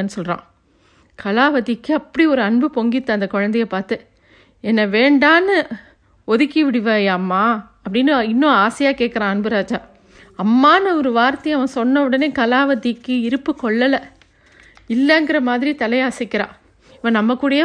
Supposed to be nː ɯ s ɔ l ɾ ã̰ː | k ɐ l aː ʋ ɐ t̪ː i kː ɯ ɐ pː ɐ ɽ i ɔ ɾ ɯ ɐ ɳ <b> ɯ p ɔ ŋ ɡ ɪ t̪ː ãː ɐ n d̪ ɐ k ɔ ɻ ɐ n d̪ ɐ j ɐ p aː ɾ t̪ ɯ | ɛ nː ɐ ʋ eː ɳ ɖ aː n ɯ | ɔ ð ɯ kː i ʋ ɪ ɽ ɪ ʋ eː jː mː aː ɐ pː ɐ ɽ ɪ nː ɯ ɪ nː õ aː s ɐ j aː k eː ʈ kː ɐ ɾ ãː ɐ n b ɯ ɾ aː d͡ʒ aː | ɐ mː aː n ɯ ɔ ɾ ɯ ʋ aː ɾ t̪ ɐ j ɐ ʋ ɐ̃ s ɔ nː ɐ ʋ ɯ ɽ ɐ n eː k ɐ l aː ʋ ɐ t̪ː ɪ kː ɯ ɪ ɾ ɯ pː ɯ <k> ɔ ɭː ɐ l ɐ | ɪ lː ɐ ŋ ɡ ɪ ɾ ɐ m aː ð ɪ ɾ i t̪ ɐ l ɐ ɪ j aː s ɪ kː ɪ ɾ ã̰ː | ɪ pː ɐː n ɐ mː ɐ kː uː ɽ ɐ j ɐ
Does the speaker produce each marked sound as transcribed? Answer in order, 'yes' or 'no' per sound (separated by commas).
yes, yes